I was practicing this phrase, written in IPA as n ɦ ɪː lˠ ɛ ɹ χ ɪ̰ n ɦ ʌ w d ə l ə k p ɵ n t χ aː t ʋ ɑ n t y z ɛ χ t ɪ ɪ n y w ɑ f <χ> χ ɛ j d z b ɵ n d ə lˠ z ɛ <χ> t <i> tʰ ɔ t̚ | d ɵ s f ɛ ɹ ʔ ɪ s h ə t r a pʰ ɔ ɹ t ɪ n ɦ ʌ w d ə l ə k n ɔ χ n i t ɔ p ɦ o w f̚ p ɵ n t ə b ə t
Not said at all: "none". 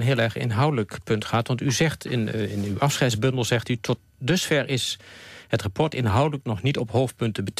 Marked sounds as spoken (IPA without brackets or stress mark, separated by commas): s, χ, y